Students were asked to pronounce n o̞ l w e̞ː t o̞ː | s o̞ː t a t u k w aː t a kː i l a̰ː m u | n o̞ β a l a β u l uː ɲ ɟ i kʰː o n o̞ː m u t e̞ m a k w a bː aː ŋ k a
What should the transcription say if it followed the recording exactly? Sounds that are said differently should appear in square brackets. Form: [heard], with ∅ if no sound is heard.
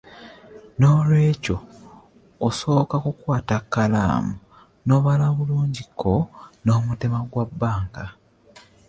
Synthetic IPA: n o̞ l w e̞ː [c] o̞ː | s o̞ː [k] a [k] u k w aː t a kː [a] l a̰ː m u | n o̞ β a l a β u l uː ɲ ɟ i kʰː o n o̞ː m u t e̞ m a [ɡ] w a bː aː ŋ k a